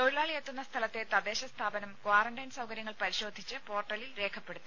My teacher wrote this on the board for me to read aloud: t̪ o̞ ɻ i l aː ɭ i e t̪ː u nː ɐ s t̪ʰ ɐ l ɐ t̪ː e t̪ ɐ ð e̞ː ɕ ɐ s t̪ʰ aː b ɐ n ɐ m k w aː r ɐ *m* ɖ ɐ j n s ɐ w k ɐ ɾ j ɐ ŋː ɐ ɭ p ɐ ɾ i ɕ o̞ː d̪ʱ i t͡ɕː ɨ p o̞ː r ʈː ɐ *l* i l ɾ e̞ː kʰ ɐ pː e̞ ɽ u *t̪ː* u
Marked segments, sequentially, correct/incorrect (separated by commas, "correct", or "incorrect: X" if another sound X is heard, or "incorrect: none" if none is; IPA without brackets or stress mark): incorrect: ɳ, correct, correct